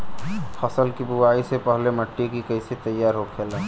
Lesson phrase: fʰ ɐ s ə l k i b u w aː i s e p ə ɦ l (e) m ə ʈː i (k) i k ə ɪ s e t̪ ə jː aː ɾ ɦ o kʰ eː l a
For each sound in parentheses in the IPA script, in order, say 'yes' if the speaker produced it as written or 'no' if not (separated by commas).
yes, yes